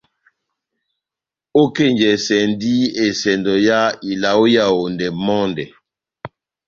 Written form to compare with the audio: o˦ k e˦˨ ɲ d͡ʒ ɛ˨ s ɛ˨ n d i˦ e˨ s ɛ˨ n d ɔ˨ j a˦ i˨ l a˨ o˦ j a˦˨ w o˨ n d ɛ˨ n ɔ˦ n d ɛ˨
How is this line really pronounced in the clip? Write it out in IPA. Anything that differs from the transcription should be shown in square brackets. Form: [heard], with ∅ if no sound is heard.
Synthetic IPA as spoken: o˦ k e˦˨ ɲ d͡ʒ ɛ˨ s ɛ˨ n d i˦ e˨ s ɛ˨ n d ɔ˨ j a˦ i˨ l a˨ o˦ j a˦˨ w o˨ n d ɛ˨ [m] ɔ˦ n d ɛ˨